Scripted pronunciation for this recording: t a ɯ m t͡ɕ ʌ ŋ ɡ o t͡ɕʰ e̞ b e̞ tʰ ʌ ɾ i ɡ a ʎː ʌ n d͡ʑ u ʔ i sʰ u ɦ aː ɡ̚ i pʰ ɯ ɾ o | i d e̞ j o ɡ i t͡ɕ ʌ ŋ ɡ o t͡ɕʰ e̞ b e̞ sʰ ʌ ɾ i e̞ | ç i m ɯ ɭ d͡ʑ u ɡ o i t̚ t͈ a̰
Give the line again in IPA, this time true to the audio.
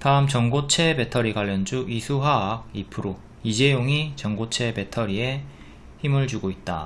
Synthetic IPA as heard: t a ɯ m t͡ɕ ʌ ŋ ɡ o t͡ɕʰ e̞ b e̞ tʰ ʌ ɾ i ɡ a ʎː ʌ n d͡ʑ u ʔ i sʰ u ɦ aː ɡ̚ i pʰ ɯ ɾ o | i d͡ʑ e̞ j o ŋ i t͡ɕ ʌ ŋ ɡ o t͡ɕʰ e̞ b e̞ tʰ ʌ ɾ i e̞ | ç i m ɯ ɭ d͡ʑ u ɡ o i t̚ t͈ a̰